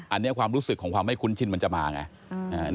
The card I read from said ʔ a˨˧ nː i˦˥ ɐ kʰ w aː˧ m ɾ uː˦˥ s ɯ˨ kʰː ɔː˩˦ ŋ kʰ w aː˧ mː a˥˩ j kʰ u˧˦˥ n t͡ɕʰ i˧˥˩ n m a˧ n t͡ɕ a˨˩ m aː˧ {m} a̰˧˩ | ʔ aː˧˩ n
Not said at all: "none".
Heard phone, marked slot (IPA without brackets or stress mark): ŋ